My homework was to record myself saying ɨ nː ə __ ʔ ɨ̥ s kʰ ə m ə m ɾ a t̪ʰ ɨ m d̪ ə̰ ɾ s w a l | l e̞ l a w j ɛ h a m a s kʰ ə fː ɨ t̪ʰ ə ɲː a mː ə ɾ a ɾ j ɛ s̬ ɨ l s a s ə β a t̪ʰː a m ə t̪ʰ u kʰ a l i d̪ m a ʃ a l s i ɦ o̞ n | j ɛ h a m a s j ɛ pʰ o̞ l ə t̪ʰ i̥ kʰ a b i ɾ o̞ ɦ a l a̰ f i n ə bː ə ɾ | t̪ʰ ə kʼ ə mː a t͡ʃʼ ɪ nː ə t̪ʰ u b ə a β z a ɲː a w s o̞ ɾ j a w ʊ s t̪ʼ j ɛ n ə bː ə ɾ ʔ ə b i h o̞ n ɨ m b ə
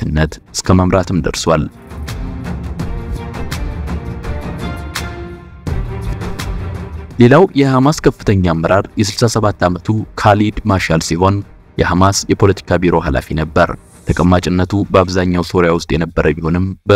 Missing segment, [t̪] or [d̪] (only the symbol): t̪